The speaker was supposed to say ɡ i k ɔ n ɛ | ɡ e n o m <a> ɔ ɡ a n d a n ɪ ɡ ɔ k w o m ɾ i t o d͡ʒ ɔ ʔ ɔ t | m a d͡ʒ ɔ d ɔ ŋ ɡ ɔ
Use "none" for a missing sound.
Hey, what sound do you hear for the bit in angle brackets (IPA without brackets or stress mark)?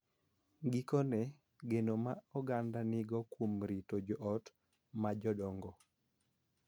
a